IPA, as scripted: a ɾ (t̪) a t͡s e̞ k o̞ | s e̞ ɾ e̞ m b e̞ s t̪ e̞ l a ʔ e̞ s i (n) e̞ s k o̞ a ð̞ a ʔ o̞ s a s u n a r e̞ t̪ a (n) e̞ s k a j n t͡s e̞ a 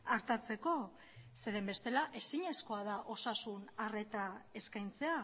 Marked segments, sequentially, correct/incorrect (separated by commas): correct, incorrect, incorrect